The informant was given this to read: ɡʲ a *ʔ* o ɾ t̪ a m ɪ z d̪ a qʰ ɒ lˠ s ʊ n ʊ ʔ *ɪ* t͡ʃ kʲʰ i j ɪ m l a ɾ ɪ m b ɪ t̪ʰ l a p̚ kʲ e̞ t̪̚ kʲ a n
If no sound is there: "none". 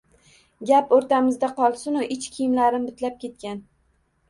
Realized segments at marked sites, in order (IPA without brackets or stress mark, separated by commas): p, ɪ